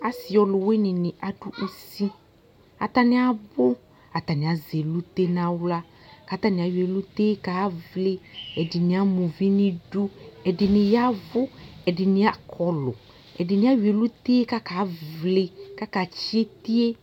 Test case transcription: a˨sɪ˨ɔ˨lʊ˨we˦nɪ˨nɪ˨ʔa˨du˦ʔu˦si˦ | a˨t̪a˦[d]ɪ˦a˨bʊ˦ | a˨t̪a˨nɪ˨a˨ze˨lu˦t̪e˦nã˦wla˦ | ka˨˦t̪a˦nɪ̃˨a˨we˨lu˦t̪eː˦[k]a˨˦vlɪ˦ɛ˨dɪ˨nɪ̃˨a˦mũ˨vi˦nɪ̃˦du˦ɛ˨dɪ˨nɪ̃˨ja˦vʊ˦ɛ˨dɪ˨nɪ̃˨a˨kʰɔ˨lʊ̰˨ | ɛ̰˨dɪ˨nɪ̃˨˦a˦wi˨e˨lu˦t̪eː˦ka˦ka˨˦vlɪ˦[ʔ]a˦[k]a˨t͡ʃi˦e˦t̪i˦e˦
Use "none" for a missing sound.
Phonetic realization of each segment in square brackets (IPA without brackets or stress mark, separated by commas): n, k, k, k